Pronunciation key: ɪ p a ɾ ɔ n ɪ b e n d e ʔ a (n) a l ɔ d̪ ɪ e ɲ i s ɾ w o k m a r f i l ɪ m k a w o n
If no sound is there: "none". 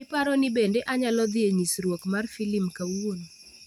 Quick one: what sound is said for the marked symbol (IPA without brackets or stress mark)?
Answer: ɲ